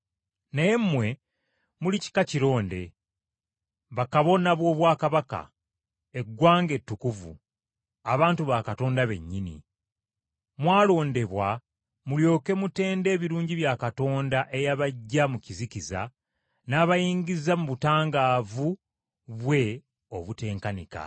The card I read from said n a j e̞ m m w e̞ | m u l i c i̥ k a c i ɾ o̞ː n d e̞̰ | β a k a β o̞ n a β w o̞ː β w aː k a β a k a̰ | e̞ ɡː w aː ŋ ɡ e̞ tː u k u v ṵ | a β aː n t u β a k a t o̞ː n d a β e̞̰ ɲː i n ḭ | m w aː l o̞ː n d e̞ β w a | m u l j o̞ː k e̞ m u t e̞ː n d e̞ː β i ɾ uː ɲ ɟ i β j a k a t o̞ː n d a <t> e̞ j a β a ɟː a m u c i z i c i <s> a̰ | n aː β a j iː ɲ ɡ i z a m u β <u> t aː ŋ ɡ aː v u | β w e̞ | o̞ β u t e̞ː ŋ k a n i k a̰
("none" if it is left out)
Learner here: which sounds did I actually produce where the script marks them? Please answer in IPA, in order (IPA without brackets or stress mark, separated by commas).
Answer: ʔ, z, u